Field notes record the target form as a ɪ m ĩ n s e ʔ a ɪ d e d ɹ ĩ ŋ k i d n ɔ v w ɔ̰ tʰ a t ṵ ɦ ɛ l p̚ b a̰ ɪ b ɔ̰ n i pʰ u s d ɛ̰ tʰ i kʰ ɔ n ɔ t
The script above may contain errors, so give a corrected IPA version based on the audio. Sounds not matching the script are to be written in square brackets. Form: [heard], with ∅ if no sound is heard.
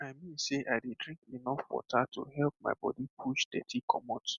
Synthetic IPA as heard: a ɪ m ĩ n s e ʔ a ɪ d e d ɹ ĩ ŋ k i [∅] n ɔ [f] w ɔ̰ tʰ a t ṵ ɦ ɛ l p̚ [m] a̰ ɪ b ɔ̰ [d] i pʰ u [ʃ] d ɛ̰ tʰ i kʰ ɔ [m] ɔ t